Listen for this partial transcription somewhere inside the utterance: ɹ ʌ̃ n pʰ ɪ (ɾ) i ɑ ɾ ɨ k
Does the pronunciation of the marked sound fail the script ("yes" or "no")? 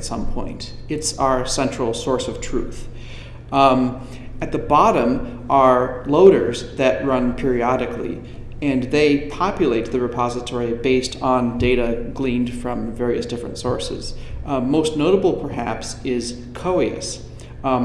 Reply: yes